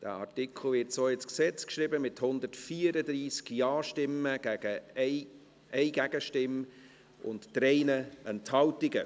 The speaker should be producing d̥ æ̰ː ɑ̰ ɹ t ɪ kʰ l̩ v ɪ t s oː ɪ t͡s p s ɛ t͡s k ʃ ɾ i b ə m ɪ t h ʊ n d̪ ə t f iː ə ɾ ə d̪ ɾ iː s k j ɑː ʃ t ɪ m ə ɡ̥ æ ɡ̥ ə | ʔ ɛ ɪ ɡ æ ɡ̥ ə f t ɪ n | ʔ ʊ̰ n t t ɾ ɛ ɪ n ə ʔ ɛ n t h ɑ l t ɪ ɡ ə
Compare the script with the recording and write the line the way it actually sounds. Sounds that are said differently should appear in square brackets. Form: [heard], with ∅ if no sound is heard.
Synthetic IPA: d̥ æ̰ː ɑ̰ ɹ t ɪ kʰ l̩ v ɪ t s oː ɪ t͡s [k] s ɛ t͡s k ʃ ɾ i b ə m ɪ t h ʊ n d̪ ə t f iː ə ɾ ə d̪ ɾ iː s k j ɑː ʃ t ɪ m ə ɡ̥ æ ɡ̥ ə | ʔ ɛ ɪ ɡ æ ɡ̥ ə [ʃ] t ɪ [m] | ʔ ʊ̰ n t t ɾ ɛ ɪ n ə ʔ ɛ n t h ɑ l t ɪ ɡ ə